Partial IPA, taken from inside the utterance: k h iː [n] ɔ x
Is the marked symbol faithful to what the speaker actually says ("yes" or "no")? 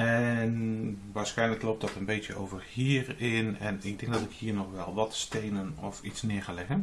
yes